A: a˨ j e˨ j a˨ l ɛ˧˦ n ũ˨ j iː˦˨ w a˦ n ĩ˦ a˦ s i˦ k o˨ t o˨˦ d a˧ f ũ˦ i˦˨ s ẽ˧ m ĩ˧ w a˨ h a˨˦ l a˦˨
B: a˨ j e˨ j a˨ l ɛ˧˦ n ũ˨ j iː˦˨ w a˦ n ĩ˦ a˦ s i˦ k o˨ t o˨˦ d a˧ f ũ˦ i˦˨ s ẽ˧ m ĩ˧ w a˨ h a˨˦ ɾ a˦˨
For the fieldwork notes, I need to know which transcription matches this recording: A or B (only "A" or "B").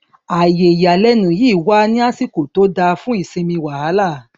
A